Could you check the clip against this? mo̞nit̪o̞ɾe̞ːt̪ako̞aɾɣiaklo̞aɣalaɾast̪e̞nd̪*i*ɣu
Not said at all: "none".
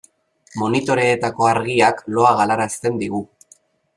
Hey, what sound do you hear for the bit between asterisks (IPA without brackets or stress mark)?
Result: i